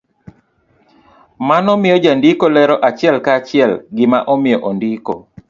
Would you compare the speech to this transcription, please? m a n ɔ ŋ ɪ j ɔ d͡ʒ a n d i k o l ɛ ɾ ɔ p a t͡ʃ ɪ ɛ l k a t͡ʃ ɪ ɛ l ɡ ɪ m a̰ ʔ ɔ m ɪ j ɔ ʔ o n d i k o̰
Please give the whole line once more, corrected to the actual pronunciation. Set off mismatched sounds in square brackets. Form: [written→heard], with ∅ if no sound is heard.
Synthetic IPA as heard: m a n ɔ [ŋ→m] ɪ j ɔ d͡ʒ a n d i k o l ɛ ɾ ɔ [p→ʔ] a t͡ʃ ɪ ɛ l k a t͡ʃ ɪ ɛ l ɡ ɪ m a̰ ʔ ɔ m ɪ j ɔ ʔ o n d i k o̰